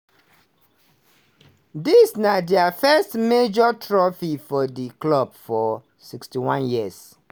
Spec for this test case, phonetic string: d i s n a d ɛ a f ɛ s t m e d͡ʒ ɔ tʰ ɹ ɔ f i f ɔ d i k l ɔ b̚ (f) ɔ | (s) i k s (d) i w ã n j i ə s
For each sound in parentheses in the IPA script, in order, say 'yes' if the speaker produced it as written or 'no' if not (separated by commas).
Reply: yes, yes, no